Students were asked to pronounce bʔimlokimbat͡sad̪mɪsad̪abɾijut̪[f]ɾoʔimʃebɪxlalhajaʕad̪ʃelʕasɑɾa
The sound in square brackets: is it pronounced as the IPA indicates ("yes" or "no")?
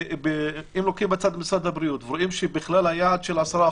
no